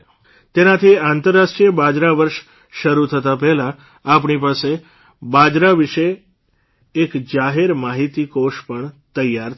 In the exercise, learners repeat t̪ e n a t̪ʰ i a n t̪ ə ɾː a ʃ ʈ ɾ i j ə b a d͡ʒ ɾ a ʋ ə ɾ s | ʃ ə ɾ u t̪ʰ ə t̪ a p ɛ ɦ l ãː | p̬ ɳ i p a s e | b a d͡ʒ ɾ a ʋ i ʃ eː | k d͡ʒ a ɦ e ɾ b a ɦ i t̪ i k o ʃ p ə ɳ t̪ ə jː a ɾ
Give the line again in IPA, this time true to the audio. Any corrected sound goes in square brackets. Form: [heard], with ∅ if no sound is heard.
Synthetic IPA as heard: t̪ e n a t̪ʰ i a n t̪ ə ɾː a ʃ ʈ ɾ i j ə b a d͡ʒ ɾ a ʋ ə ɾ [ʃ] | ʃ ə ɾ u t̪ʰ ə t̪ a p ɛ ɦ l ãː | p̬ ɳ i p a s e | b a d͡ʒ ɾ a ʋ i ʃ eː | k d͡ʒ a ɦ e ɾ [m] a ɦ i t̪ i k o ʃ p ə ɳ t̪ ə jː a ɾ

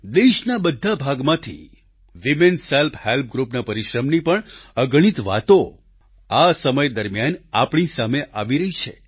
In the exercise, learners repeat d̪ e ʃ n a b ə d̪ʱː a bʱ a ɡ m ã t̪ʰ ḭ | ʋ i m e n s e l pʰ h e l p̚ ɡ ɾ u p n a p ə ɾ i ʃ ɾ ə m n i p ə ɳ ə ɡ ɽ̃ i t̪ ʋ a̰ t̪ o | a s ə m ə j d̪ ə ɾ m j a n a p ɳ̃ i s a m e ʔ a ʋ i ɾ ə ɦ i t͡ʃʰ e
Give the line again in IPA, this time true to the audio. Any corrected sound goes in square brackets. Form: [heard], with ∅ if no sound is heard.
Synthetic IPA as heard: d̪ e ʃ n a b ə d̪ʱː a bʱ a ɡ m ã t̪ʰ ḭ | ʋ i m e n s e l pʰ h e l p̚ ɡ ɾ u p n a p ə ɾ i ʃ ɾ ə m n i p ə ɳ ə ɡ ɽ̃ i t̪ ʋ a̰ t̪ o | a s ə m ə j d̪ ə ɾ m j a n a p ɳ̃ i s a m e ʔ a ʋ i ɾ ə ɦ i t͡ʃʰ e

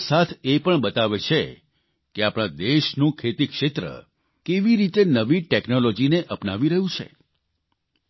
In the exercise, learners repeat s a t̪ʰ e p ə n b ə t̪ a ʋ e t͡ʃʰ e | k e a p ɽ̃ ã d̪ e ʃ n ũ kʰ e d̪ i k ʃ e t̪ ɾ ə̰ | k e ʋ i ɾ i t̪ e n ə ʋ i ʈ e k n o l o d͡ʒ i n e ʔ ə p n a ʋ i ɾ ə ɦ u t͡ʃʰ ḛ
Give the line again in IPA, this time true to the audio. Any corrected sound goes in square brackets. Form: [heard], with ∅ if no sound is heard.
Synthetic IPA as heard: s a t̪ʰ e p ə [ɳ] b ə t̪ a ʋ e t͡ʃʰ e | k e a p ɽ̃ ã d̪ e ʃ n ũ kʰ e [t̪] i k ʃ e t̪ ɾ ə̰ | k e ʋ i ɾ i t̪ e n ə ʋ i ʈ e k n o l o d͡ʒ i n e ʔ ə p n a ʋ i ɾ ə ɦ [ũ] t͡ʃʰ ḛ

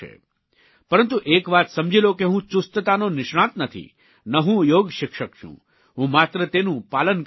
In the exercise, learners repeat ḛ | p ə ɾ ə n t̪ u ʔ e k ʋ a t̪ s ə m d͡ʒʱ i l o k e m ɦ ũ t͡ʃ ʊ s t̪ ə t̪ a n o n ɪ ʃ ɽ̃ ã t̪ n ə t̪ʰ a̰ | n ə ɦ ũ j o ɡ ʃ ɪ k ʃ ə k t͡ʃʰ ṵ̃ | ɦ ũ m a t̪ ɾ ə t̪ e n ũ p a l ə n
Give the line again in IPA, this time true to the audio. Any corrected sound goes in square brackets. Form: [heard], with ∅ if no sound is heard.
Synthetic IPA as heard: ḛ | p ə ɾ ə n t̪ u ʔ e k ʋ a t̪ s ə m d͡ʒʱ i l o k e [∅] ɦ ũ t͡ʃ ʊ s t̪ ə t̪ a n o n ɪ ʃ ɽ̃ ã t̪ n ə t̪ʰ [ḭ] | n ə ɦ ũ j o ɡ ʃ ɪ k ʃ ə k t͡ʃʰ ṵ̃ | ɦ ũ m a t̪ ɾ ə t̪ e n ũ p a l ə n

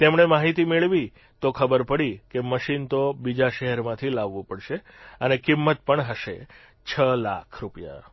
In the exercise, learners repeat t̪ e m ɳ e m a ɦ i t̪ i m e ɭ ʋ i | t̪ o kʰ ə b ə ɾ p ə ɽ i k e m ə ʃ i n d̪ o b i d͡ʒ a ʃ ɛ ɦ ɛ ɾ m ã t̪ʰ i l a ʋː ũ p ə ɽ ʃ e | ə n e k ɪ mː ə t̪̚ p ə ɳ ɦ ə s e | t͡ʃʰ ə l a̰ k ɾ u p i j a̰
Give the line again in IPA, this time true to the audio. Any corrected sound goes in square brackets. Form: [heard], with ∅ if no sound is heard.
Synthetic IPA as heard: t̪ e m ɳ e m a ɦ i t̪ i m e ɭ ʋ i | t̪ o kʰ ə b ə ɾ p ə ɽ i k e m ə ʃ i n [t̪] o b i d͡ʒ a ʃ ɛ ɦ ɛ ɾ m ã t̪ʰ i l a ʋː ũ p ə ɽ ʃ e | ə n e k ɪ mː ə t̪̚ p ə ɳ ɦ ə [ʃ] e | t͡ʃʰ ə l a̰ [kʰ] ɾ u p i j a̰

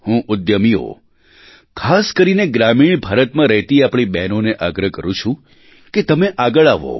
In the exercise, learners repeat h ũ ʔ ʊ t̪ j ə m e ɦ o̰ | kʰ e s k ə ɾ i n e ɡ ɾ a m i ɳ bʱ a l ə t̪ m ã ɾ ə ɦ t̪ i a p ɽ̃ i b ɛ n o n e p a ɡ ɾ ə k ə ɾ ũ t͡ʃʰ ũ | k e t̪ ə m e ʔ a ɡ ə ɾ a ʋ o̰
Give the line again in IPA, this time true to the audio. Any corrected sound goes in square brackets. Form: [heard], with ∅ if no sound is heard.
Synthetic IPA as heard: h ũ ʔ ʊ [d̪] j ə m [i] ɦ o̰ | kʰ [a] s k ə ɾ i n e ɡ ɾ a m i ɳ bʱ a [ɾ] ə t̪ m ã ɾ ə ɦ t̪ i a p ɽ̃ i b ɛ n o n e [ʔ] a ɡ ɾ ə k ə ɾ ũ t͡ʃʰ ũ | k e t̪ ə m e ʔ a ɡ ə [ɭ] a ʋ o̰

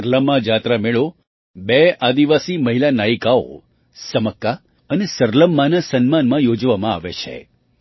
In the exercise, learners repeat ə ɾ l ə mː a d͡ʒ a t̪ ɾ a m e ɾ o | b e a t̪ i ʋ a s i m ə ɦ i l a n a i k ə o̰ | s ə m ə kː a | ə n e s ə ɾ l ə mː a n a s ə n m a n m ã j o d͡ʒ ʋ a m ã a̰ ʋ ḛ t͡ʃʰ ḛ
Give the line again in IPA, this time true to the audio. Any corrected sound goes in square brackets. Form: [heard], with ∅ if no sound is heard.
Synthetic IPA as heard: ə ɾ l ə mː a d͡ʒ a t̪ ɾ a m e [ɭ] o | b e a [d̪] i ʋ a s i m ə ɦ i l a n a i k [a] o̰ | s ə m ə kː a | ə n e s ə ɾ l ə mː a n a s ə n m a n m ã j o d͡ʒ ʋ a m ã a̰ ʋ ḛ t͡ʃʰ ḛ

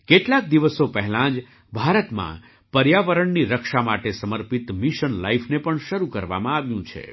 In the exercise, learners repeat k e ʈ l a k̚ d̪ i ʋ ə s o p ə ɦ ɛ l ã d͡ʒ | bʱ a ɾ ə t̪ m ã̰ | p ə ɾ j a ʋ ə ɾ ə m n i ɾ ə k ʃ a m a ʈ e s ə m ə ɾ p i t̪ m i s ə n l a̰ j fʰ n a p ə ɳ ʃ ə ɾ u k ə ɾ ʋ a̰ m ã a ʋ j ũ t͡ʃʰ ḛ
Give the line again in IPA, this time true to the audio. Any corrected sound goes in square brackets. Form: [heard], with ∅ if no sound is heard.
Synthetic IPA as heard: k e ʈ l a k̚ d̪ i ʋ ə s o p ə ɦ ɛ l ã d͡ʒ | bʱ a ɾ ə t̪ m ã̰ | p ə ɾ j a ʋ ə ɾ ə [ɳ] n i ɾ ə k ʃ a m a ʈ e s ə m ə ɾ p i t̪ m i [ʃ] ə n l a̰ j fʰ n [e] p ə ɳ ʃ ə ɾ u k ə ɾ ʋ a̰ m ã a ʋ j ũ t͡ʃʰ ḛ

